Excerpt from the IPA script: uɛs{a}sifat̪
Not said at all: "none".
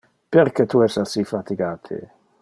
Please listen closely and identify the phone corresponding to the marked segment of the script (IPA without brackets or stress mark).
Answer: a